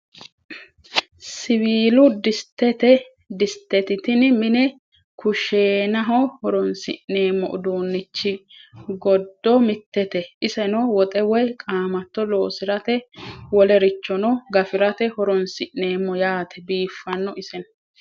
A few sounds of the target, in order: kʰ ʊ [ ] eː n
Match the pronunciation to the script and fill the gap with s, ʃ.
ʃ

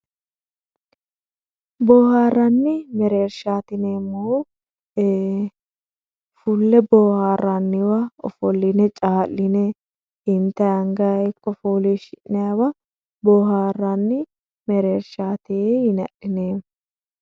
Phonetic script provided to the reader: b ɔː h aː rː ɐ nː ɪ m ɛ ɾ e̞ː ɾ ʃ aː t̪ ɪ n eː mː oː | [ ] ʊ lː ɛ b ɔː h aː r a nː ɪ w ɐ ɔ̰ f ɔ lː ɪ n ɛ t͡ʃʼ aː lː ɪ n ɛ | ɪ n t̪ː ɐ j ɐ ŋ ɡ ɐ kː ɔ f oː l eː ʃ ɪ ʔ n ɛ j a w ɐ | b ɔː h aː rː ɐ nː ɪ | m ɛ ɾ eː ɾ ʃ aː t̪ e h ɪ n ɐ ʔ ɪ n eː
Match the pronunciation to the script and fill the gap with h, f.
f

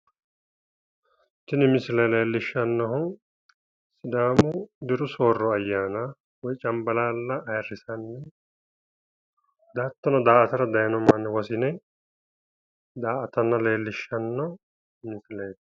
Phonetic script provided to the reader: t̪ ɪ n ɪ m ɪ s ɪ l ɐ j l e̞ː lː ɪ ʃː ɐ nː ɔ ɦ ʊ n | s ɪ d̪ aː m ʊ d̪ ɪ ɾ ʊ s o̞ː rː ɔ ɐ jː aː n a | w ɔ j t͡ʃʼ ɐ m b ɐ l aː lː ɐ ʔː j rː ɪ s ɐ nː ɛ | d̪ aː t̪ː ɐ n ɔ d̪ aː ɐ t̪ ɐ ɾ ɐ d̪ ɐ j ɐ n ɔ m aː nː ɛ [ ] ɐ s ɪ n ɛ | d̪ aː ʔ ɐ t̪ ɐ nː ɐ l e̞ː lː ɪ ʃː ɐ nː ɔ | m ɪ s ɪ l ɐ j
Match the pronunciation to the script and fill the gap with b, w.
w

